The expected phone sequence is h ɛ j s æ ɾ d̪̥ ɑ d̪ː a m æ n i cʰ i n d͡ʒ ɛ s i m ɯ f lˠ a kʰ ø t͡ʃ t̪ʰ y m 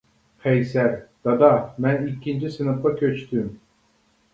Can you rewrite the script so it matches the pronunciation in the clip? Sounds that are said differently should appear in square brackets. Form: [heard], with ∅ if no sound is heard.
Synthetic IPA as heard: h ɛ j s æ ɾ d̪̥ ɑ [d̪] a m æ n i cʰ i n d͡ʒ [i] s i [n] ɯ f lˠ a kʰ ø t͡ʃ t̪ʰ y m